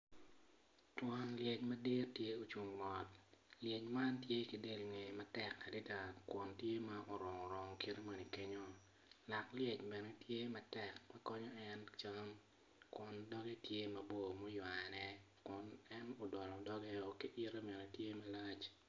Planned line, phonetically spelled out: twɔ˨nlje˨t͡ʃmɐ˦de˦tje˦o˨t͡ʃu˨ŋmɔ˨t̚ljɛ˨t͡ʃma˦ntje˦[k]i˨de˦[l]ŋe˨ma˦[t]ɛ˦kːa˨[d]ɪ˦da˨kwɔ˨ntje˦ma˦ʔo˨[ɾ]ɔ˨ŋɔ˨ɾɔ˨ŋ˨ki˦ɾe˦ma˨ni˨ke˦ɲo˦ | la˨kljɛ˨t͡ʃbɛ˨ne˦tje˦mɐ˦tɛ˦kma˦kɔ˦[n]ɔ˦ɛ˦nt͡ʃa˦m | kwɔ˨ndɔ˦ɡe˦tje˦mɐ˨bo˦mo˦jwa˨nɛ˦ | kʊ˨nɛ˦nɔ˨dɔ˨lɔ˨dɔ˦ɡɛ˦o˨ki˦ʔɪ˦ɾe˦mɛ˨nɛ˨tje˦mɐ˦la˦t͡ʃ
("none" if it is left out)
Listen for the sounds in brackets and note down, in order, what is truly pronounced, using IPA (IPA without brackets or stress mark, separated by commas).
k, l, t, d, ɾ, ɲ